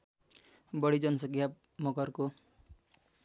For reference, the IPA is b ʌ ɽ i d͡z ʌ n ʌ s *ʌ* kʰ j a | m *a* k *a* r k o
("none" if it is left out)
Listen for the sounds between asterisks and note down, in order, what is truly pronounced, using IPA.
ʌ, ʌ, ʌ

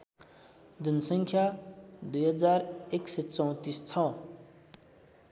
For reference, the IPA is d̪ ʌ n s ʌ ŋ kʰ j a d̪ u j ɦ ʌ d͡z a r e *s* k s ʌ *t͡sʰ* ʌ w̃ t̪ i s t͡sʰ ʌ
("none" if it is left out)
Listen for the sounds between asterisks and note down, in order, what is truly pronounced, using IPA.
none, t͡s

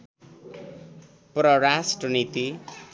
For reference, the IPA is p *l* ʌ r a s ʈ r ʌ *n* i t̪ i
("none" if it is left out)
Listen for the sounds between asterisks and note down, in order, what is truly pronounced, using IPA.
r, n

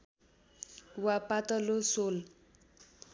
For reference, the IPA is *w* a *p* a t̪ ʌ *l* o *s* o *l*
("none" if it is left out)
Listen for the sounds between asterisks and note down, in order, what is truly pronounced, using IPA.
w, p, l, s, l

